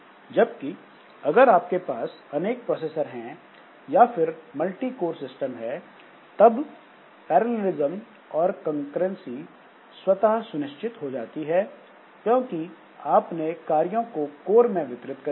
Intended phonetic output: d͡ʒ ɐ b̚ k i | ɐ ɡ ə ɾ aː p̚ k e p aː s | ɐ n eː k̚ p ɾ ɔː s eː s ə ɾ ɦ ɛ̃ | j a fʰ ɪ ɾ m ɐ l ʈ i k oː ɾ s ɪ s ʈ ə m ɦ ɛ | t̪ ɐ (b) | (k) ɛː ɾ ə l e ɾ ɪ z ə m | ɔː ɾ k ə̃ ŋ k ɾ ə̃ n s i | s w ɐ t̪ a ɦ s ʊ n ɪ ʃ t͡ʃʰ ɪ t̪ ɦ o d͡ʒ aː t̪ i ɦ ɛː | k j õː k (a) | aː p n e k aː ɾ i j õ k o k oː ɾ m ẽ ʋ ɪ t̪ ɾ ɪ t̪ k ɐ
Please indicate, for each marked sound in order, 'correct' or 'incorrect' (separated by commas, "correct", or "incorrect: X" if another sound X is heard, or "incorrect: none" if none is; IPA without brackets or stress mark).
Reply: correct, incorrect: p, incorrect: i